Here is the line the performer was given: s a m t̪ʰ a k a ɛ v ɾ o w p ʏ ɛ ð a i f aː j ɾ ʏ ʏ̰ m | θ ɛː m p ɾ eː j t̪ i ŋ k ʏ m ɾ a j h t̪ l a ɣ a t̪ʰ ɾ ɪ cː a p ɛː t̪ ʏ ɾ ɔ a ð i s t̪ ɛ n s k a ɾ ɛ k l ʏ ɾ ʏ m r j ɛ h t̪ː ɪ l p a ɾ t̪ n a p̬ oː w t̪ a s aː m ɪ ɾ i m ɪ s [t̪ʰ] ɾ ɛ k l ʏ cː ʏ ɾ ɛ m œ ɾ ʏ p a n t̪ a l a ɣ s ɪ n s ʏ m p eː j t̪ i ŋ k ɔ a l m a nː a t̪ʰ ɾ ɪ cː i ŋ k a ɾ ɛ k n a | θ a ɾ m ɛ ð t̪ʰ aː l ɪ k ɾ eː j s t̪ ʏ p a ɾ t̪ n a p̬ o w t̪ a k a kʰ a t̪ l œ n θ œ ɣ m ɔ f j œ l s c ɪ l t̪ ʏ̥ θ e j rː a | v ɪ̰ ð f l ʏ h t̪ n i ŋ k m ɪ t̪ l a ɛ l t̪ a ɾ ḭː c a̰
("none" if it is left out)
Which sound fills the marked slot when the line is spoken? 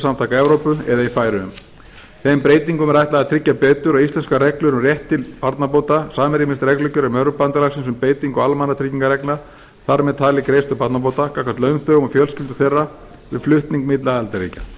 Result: t̪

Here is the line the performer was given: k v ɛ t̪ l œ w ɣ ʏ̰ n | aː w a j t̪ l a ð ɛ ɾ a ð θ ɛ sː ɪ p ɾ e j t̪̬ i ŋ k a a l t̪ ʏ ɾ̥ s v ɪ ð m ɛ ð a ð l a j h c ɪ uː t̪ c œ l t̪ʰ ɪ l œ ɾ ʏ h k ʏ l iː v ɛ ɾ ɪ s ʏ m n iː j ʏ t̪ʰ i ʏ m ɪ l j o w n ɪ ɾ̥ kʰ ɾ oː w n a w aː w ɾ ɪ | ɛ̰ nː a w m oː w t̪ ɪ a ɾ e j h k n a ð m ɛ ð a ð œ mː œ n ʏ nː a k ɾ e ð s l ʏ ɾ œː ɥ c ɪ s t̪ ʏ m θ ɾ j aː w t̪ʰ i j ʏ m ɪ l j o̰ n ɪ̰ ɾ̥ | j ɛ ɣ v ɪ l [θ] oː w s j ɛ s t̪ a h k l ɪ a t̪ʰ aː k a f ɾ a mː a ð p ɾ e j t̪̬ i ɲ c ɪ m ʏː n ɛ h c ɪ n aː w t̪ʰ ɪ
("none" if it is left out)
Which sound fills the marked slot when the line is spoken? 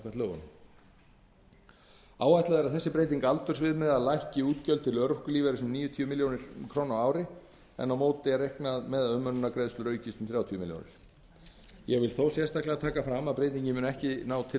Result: θ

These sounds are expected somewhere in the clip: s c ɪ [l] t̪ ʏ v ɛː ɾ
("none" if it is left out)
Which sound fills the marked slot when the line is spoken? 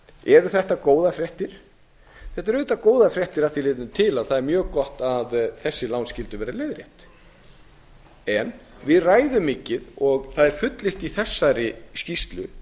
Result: l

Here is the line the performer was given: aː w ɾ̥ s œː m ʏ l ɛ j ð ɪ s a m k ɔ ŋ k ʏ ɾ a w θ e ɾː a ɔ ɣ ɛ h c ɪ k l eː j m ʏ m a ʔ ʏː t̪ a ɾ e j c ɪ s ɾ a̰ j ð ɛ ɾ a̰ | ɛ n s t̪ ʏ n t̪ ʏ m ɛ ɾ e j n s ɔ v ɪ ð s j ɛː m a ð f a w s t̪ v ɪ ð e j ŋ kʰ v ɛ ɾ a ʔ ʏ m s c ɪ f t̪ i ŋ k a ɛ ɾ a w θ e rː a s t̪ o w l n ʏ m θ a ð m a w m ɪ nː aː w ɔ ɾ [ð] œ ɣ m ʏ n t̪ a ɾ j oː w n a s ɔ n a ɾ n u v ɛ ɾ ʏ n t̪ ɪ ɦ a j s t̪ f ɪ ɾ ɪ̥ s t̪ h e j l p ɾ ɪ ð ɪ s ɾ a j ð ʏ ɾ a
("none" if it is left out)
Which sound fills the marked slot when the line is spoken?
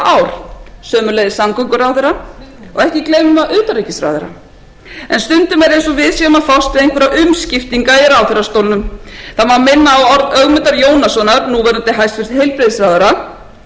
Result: ð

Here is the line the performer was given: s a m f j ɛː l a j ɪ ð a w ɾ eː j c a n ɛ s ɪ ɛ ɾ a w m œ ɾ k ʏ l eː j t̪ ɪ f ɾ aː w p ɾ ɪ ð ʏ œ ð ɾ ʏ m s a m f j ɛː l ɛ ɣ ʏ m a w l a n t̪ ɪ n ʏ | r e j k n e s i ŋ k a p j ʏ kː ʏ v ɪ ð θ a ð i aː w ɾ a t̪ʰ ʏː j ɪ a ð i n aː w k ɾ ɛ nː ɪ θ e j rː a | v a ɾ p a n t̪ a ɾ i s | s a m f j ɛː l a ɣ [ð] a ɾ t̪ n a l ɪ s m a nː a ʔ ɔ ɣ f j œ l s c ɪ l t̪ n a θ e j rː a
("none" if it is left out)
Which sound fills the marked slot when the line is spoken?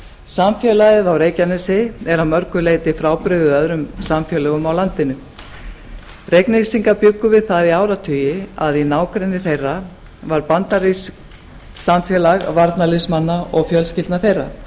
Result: v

